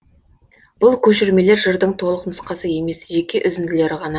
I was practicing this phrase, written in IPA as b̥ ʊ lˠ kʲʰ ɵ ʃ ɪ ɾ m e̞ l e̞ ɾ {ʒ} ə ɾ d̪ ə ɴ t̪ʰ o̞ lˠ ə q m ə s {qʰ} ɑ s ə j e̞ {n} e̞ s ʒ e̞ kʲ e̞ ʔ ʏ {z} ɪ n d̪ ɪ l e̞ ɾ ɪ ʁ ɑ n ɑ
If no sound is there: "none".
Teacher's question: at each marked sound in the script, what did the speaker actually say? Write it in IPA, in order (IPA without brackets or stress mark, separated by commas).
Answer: ʒ, q, m, z